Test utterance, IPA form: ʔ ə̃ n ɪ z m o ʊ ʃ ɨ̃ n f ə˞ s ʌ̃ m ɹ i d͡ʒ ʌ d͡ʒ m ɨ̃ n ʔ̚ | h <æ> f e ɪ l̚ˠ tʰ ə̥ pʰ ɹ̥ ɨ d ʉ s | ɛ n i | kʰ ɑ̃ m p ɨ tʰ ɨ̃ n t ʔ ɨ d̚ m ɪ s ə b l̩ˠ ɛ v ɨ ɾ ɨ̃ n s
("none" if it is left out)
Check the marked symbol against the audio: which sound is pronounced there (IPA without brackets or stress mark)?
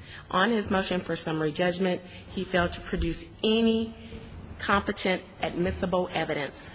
i